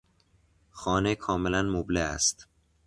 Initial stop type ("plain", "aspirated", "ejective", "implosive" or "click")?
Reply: aspirated